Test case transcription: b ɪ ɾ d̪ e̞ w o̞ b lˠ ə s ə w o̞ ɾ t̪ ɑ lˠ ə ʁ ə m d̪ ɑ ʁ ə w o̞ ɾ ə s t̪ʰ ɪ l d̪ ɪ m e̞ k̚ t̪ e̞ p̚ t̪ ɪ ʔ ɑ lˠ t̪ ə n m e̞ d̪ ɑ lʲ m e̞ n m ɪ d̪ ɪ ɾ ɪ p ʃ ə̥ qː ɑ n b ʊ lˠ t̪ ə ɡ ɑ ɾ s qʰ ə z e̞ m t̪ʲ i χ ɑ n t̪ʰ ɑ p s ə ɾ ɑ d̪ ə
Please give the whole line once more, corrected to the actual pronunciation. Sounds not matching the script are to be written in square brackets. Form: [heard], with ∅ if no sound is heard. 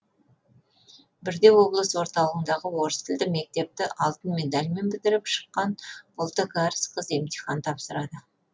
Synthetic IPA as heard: b ɪ ɾ d̪ e̞ w o̞ b lˠ ə s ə w o̞ ɾ t̪ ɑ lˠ ə ʁ ə [n] d̪ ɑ ʁ ə w o̞ ɾ ə s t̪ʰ ɪ l d̪ ɪ m e̞ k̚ t̪ e̞ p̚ t̪ ɪ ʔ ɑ lˠ t̪ ə n m e̞ d̪ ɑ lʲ m e̞ n [b] ɪ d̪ ɪ ɾ ɪ p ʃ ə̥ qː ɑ n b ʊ lˠ t̪ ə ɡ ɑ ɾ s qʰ ə z e̞ m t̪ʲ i χ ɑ n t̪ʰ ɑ p s ə ɾ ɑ d̪ ə